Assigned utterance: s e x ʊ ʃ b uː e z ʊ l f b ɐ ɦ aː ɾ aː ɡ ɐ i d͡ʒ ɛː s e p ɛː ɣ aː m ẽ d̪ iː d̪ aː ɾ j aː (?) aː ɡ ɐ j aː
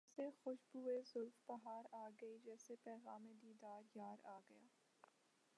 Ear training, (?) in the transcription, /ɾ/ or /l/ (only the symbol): ɾ